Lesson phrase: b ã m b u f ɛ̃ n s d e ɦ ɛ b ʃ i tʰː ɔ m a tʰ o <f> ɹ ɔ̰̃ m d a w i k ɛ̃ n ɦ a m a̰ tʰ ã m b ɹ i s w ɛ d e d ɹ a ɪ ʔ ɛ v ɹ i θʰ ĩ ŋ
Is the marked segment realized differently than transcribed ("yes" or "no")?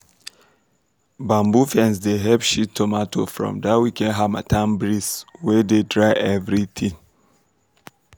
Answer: no